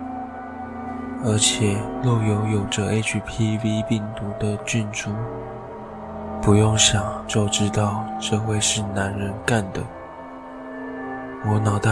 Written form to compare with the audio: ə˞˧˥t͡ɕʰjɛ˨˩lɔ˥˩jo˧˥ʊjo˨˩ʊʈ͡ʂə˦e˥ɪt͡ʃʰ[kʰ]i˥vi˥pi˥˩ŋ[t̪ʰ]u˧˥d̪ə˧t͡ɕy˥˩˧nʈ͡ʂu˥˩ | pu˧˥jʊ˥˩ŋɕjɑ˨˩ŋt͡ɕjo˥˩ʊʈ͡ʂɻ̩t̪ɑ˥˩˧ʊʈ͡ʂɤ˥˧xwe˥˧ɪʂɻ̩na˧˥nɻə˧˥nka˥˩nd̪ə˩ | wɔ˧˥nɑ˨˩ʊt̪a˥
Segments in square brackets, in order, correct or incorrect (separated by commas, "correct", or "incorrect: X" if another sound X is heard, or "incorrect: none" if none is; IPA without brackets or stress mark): incorrect: pʰ, incorrect: t̪